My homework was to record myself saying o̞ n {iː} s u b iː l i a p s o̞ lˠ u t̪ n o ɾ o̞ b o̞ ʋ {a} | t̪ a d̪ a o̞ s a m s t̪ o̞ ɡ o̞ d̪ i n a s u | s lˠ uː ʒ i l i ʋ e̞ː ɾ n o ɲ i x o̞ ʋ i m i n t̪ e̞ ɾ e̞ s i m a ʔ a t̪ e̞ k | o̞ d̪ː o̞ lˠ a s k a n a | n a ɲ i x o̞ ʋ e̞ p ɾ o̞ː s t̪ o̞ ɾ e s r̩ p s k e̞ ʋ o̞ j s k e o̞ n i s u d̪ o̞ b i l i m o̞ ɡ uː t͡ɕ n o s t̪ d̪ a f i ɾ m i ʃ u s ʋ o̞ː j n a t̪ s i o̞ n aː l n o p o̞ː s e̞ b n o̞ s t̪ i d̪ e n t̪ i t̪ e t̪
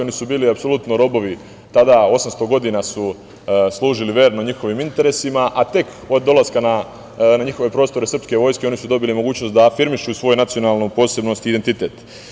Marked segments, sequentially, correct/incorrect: incorrect, incorrect

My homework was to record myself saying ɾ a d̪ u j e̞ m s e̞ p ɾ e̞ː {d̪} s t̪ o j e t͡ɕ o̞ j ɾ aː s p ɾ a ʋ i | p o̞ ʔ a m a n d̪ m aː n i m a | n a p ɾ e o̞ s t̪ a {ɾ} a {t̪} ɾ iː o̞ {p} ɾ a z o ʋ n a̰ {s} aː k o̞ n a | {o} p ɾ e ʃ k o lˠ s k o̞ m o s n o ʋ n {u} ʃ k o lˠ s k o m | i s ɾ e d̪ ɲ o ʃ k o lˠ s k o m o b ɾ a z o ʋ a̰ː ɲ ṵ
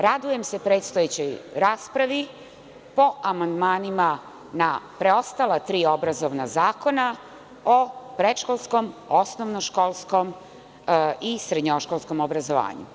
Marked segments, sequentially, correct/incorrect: incorrect, incorrect, correct, incorrect, incorrect, correct, incorrect

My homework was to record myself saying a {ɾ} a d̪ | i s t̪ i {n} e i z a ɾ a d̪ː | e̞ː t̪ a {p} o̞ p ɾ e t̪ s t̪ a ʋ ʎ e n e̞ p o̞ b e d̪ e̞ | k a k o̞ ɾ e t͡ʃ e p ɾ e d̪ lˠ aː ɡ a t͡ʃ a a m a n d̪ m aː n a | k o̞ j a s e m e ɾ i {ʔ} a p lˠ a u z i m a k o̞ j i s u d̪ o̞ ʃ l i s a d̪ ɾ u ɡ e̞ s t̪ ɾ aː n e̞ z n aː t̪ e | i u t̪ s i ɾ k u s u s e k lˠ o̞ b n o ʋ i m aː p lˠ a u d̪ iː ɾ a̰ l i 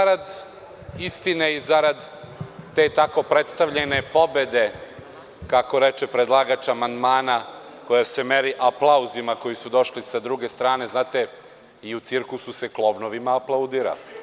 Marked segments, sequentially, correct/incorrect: correct, correct, incorrect, correct

